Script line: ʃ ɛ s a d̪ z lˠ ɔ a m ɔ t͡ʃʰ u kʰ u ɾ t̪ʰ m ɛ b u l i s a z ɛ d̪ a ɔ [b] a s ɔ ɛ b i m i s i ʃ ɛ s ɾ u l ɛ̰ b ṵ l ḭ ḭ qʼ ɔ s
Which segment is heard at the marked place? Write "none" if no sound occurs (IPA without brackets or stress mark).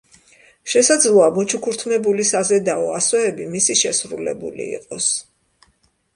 none